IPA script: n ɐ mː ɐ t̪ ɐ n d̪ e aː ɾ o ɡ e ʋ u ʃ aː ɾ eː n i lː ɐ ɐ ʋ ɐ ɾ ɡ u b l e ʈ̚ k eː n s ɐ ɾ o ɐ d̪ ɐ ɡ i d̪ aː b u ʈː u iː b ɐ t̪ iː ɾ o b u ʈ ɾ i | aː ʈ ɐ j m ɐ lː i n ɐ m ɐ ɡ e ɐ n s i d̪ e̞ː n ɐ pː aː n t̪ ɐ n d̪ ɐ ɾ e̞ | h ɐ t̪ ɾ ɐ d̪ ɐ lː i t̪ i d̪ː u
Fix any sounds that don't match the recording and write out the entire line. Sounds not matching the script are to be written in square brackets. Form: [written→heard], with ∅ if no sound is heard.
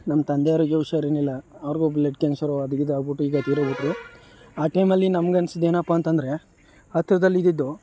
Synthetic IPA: n ɐ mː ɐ t̪ ɐ n d̪ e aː ɾ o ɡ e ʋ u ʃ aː ɾ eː n i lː ɐ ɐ ʋ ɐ ɾ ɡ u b l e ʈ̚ k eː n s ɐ ɾ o ɐ d̪ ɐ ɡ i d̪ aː b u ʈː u iː [b→ɡ] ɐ t̪ iː ɾ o b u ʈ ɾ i | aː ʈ ɐ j m ɐ lː i n ɐ m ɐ ɡ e ɐ n s i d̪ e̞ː n ɐ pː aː n t̪ ɐ n d̪ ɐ ɾ e̞ | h ɐ t̪ ɾ ɐ d̪ ɐ lː i [t̪→d̪] i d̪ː u

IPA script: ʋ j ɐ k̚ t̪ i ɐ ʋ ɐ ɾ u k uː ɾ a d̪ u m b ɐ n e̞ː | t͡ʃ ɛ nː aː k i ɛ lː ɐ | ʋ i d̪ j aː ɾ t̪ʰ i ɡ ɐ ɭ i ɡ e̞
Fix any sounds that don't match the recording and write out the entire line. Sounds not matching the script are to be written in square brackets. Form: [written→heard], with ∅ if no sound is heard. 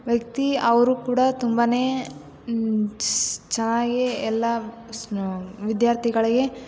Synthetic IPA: ʋ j ɐ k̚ t̪ i ɐ ʋ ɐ ɾ u k uː [ɾ→ɽ] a [d̪→t̪] u m b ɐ n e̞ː | t͡ʃ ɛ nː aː [k→ɡ] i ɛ lː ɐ | ʋ i d̪ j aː ɾ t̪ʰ i ɡ ɐ ɭ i ɡ e̞

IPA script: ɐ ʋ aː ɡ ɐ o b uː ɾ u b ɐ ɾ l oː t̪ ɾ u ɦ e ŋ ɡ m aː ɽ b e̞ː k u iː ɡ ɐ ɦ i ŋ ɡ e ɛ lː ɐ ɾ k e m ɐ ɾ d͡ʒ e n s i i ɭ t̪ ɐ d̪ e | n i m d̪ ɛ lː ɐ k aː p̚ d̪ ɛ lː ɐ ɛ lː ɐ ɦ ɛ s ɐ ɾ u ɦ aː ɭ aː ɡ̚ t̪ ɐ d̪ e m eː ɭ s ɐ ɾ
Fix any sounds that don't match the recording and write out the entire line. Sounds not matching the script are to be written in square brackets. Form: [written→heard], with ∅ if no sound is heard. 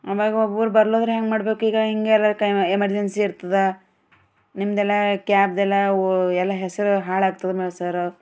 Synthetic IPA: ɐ ʋ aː ɡ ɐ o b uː ɾ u b ɐ ɾ l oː [t̪→d̪] ɾ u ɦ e ŋ ɡ m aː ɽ b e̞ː k u iː ɡ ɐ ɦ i ŋ ɡ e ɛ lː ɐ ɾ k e m ɐ ɾ d͡ʒ e n s i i [ɭ→ɾ] t̪ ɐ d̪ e | n i m d̪ ɛ lː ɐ k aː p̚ d̪ ɛ lː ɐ ɛ lː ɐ ɦ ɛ s ɐ ɾ u ɦ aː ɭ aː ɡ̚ t̪ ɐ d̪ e m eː ɭ s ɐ ɾ

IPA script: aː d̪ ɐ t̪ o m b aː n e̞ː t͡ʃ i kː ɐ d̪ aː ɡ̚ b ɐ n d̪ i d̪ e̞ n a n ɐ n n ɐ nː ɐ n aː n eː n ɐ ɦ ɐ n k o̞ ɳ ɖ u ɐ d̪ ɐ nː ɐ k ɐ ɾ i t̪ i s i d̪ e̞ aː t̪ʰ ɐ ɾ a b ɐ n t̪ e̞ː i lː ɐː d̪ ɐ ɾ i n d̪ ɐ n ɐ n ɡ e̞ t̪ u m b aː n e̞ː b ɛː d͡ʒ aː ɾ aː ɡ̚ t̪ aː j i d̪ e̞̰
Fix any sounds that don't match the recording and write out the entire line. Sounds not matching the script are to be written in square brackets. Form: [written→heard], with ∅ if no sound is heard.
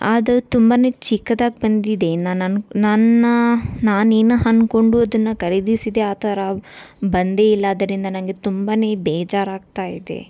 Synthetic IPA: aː d̪ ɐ t̪ [o→u] m b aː n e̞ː t͡ʃ i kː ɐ d̪ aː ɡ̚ b ɐ n d̪ i d̪ e̞ n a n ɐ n n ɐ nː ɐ n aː n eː n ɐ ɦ ɐ n k o̞ ɳ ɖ u ɐ d̪ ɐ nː ɐ k ɐ ɾ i [t̪→d̪] i s i d̪ e̞ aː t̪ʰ ɐ ɾ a b ɐ n [t̪→d̪] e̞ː i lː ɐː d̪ ɐ ɾ i n d̪ ɐ n ɐ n ɡ e̞ t̪ u m b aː n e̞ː b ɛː d͡ʒ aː ɾ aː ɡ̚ t̪ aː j i d̪ e̞̰

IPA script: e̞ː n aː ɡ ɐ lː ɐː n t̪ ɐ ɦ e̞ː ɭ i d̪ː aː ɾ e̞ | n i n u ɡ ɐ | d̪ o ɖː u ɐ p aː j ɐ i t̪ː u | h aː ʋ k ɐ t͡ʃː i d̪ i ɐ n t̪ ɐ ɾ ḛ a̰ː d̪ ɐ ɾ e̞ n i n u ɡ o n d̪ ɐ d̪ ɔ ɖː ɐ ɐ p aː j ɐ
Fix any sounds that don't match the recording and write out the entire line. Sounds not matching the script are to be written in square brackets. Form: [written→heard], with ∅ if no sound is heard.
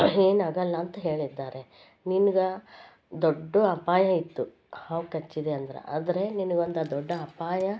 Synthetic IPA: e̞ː n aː ɡ ɐ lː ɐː n t̪ ɐ ɦ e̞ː ɭ i d̪ː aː ɾ e̞ | n i n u ɡ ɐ | d̪ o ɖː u ɐ p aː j ɐ i t̪ː u | h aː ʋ k ɐ t͡ʃː i d̪ [i→e] ɐ n [t̪→d̪] ɐ ɾ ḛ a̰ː d̪ ɐ ɾ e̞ n i n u ɡ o n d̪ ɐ d̪ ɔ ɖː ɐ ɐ p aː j ɐ

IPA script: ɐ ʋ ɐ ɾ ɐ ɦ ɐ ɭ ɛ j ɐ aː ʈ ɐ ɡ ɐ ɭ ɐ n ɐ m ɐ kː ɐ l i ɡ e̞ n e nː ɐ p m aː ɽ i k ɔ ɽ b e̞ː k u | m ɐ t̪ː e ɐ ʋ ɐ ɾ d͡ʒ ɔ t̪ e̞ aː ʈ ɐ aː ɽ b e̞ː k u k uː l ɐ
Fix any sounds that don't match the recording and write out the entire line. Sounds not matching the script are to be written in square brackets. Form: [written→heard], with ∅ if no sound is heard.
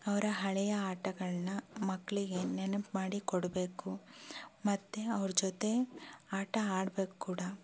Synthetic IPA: ɐ ʋ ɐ ɾ ɐ ɦ ɐ ɭ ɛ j ɐ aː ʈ ɐ ɡ ɐ ɭ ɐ n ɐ m ɐ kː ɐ [l→ɭ] i ɡ e̞ n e [nː→n] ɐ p m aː ɽ i k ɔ ɽ b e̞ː k u | m ɐ t̪ː e ɐ ʋ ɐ ɾ d͡ʒ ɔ t̪ e̞ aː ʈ ɐ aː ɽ b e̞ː k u k uː [l→ɽ] ɐ

